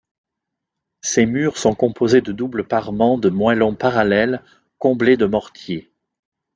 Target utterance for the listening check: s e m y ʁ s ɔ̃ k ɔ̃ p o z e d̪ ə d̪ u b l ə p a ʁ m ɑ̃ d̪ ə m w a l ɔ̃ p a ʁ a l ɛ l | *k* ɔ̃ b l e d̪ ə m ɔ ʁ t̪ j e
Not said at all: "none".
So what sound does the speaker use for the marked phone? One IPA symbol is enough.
k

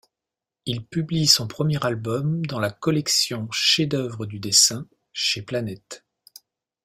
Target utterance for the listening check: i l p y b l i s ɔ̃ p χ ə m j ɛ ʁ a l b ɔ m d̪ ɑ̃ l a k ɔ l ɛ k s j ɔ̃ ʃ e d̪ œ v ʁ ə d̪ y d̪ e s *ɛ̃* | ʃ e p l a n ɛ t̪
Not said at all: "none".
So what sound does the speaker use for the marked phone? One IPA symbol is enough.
ɛ̃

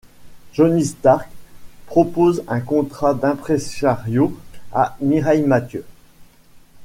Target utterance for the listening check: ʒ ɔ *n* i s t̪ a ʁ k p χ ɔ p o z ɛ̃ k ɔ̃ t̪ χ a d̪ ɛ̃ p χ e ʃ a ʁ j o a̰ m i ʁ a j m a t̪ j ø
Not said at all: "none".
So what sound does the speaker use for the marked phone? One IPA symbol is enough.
n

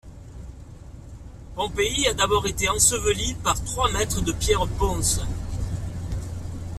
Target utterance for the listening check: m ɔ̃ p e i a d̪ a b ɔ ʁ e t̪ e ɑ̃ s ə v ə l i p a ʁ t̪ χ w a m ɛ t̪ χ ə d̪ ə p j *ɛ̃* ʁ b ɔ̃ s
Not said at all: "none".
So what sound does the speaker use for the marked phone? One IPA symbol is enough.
ɛ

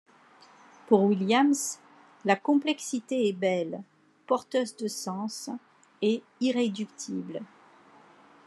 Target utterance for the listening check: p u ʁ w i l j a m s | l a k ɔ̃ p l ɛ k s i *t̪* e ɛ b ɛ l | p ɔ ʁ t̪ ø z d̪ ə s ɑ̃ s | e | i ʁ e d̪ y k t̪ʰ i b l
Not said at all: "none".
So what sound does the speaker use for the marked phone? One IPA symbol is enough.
t̪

